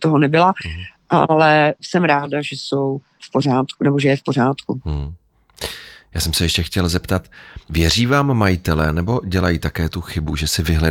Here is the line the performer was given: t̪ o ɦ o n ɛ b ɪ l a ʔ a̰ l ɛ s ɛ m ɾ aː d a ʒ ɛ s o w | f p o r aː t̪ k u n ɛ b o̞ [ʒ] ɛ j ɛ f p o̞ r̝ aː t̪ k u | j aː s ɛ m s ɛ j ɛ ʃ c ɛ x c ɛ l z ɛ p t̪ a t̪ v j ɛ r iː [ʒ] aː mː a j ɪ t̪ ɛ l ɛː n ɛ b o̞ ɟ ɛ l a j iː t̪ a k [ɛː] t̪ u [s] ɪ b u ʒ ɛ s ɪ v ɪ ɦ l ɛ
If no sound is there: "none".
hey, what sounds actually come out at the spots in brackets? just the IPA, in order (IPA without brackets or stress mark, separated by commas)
ʒ, v, ɛː, x